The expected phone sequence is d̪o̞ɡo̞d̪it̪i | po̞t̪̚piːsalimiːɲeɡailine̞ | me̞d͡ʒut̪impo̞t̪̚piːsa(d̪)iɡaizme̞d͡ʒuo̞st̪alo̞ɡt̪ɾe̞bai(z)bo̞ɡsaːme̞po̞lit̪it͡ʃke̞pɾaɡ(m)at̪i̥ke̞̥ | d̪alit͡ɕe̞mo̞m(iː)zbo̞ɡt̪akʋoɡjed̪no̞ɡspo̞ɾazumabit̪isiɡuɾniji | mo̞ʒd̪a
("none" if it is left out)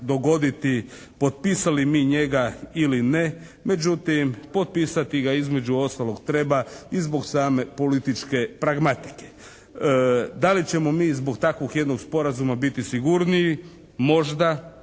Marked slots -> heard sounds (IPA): t̪, z, m, iː

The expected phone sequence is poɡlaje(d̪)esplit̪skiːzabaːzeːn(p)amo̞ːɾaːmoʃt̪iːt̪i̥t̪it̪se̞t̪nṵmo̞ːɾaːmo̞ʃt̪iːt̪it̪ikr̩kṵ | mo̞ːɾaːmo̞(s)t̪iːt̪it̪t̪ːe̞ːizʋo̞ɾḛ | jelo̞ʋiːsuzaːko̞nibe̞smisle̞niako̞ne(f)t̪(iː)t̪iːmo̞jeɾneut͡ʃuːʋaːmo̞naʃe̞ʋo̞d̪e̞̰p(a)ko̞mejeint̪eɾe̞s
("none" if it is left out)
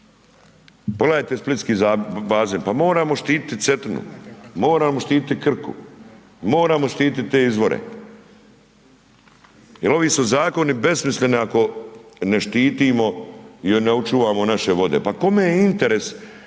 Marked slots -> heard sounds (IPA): t̪, p, ʃ, ʃ, iː, a

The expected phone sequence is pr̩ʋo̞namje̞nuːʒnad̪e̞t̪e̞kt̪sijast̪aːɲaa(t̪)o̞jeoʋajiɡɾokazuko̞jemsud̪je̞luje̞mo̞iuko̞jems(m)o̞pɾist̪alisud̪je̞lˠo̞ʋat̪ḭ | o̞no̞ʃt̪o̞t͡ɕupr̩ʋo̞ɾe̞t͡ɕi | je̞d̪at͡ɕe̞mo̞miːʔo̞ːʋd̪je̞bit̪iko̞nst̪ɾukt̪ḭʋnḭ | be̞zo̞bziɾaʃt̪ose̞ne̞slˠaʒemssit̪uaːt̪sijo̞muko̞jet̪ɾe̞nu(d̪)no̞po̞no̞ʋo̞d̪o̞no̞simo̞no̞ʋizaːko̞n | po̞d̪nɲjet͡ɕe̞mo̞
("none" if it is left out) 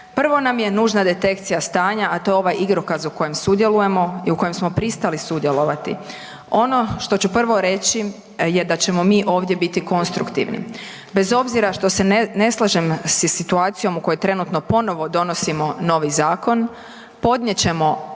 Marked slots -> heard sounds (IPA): t̪, m, t̪

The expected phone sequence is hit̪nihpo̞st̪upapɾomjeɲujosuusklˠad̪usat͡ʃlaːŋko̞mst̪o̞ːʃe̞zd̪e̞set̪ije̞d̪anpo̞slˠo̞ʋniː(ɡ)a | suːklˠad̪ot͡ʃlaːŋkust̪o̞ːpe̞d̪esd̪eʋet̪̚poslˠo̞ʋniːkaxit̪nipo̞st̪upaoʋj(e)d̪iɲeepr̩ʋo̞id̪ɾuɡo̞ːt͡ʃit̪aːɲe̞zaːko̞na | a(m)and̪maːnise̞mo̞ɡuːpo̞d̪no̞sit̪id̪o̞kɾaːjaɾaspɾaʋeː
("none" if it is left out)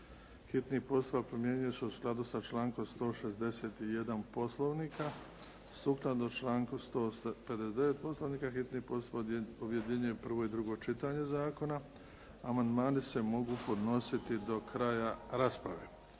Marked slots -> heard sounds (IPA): k, e, m

